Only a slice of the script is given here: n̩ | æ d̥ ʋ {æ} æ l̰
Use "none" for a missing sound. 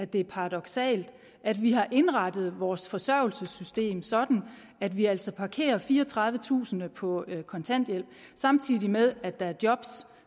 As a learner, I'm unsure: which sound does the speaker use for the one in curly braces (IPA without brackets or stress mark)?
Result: i